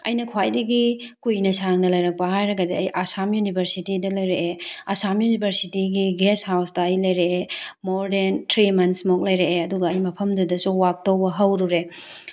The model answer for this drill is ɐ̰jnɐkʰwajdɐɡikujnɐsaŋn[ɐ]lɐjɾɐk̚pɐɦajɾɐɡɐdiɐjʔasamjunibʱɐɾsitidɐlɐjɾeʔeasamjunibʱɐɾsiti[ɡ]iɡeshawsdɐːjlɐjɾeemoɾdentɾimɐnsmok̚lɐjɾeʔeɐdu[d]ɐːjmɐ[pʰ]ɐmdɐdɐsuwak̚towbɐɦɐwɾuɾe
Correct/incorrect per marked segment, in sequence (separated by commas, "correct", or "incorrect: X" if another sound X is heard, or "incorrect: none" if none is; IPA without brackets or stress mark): correct, correct, incorrect: ɡ, correct